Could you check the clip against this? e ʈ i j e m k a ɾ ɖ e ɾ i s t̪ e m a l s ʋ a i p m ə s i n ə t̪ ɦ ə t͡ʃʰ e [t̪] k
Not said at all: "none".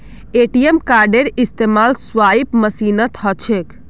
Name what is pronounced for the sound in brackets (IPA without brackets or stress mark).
none